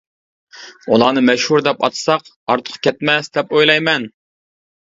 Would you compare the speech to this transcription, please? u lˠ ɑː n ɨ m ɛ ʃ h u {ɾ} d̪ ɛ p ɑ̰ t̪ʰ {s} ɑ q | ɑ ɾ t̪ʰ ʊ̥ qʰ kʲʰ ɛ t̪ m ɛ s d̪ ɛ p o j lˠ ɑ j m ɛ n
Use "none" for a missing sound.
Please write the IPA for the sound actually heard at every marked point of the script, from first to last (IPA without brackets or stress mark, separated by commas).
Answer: ɾ, s